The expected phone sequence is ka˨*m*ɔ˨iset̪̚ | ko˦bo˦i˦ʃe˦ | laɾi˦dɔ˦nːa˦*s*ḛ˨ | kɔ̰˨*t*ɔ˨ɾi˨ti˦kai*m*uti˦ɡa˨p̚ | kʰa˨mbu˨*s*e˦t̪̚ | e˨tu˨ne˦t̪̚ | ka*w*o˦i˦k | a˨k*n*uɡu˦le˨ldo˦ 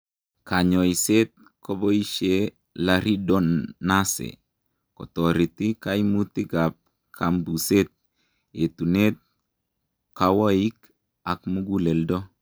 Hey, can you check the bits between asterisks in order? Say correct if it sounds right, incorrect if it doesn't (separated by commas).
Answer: incorrect, correct, correct, correct, correct, correct, incorrect